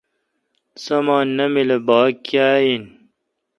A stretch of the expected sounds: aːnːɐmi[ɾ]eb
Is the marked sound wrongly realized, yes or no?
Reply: yes